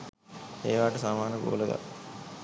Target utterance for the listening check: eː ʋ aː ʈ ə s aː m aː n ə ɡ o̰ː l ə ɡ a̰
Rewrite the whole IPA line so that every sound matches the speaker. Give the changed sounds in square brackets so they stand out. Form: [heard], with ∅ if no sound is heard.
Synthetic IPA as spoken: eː ʋ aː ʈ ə s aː m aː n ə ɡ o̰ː l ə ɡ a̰